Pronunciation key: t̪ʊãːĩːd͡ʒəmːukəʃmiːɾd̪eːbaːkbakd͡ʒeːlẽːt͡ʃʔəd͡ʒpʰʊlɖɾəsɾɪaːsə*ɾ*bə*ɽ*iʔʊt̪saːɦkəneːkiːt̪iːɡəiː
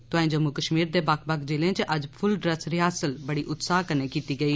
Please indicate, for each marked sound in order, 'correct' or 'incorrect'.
incorrect: l, correct

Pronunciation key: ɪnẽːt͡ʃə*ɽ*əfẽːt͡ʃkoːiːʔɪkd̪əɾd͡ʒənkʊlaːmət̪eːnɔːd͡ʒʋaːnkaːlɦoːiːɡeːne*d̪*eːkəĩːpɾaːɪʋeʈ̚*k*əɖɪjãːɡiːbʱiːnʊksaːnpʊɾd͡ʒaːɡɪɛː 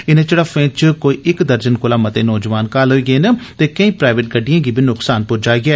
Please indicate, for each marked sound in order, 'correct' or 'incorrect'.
correct, incorrect: t̪, incorrect: ɡ

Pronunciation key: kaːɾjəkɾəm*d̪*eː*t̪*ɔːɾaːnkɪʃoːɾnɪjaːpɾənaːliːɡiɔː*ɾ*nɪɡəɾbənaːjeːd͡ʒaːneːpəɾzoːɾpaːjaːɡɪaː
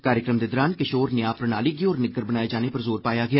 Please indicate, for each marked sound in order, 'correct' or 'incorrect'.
correct, incorrect: d̪, correct

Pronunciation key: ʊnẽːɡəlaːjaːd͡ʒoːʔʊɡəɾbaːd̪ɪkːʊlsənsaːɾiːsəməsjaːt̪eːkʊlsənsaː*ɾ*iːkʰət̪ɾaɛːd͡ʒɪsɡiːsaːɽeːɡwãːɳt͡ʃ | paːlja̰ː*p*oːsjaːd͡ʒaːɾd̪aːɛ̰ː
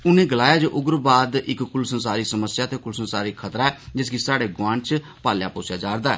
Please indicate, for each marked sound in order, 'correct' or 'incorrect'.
correct, correct

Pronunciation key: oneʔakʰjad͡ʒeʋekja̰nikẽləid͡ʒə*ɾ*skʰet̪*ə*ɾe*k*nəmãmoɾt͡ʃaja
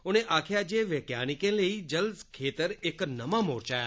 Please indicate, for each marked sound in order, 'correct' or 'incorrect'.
incorrect: l, correct, correct

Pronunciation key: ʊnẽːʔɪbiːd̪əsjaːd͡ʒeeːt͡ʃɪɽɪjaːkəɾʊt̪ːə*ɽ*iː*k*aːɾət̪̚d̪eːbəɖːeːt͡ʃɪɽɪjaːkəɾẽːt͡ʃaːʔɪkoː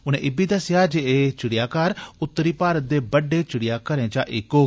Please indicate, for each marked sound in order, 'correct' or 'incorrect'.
incorrect: ɾ, incorrect: p

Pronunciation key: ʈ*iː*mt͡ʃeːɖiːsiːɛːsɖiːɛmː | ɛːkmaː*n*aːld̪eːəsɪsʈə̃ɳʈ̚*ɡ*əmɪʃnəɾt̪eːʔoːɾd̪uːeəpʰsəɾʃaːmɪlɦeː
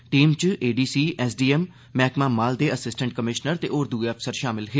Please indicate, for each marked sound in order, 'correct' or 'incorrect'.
correct, incorrect: m, incorrect: k

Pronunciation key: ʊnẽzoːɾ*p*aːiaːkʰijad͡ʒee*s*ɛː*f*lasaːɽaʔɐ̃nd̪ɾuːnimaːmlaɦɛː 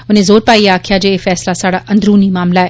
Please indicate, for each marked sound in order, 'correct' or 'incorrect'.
correct, incorrect: f, incorrect: s

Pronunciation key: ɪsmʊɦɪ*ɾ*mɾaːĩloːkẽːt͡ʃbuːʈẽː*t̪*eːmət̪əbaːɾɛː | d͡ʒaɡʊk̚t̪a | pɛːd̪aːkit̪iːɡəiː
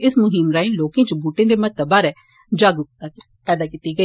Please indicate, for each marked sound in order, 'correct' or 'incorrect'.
incorrect: none, incorrect: d̪

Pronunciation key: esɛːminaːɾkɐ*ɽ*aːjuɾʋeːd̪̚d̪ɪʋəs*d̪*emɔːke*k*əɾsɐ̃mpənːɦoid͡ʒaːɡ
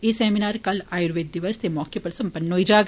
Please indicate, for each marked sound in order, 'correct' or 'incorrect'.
incorrect: l, incorrect: t̪, incorrect: p

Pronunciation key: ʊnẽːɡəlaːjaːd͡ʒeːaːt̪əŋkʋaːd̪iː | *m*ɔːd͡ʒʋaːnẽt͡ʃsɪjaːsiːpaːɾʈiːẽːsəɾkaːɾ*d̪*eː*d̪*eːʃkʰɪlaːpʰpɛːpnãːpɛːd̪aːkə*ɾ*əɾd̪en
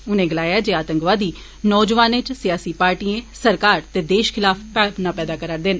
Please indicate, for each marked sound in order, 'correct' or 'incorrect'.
incorrect: n, incorrect: t̪, correct, correct

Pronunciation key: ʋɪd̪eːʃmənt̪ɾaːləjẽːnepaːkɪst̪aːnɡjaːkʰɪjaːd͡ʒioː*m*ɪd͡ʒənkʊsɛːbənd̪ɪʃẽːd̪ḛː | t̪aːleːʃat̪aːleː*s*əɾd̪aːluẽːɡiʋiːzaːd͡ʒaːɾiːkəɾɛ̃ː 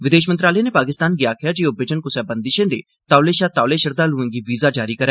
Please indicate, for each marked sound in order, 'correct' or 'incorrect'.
incorrect: b, incorrect: ʃ

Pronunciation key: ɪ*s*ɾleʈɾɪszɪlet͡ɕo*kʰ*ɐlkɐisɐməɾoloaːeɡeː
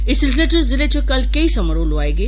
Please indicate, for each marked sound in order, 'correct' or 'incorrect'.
correct, incorrect: k

